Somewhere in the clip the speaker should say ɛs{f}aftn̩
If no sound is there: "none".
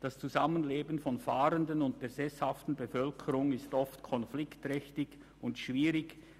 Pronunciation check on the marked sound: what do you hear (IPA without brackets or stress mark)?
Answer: h